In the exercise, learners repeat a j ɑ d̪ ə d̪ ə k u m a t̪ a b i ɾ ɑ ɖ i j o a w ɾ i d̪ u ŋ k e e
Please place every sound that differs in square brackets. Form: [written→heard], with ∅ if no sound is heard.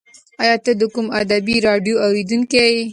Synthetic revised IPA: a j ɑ [d̪→t̪] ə d̪ ə k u m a [t̪→d̪] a b i ɾ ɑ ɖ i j o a w ɾ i d̪ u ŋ k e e